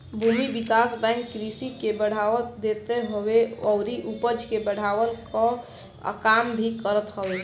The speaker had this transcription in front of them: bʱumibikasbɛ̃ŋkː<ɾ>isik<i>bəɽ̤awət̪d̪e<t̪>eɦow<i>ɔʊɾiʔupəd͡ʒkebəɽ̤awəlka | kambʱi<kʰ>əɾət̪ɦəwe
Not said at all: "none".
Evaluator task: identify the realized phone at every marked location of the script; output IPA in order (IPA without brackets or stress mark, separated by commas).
ɾ, e, t̪, e, k